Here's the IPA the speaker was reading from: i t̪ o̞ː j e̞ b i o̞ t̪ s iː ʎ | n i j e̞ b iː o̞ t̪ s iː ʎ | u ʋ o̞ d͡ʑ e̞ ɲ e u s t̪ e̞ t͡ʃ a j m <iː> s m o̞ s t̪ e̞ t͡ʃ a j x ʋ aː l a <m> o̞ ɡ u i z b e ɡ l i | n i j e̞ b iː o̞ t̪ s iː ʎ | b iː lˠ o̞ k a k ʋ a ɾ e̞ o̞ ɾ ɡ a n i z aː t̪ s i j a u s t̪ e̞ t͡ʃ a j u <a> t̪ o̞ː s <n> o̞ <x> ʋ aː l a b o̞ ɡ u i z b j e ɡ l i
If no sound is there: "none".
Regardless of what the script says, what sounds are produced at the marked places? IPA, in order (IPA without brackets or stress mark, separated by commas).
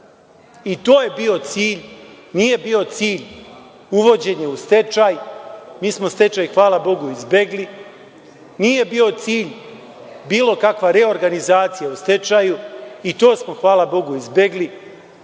iː, b, i, m, x